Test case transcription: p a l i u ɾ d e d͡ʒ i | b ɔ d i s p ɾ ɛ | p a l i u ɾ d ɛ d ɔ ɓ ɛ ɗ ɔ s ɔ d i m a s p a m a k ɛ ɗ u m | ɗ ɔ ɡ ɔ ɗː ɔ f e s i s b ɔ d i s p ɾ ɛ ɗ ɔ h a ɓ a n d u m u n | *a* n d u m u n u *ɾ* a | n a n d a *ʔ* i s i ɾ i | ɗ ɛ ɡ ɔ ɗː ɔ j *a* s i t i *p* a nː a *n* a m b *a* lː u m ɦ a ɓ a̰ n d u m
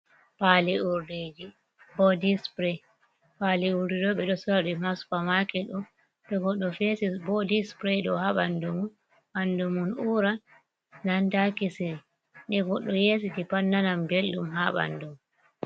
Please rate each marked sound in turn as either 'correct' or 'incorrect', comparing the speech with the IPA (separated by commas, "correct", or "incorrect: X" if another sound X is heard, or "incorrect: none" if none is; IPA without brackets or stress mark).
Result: correct, correct, incorrect: k, incorrect: e, correct, correct, incorrect: e